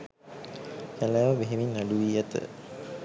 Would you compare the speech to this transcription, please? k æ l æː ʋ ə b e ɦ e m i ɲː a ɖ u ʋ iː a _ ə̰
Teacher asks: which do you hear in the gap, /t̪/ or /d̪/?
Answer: t̪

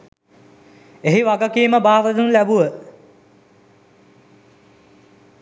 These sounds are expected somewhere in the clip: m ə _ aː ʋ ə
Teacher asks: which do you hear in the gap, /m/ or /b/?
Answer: b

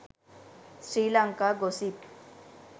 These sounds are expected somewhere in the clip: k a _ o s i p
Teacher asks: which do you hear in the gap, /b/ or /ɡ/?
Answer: ɡ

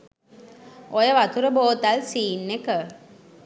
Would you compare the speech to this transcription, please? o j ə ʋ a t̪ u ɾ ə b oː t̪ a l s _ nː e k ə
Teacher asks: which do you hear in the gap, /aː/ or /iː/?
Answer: iː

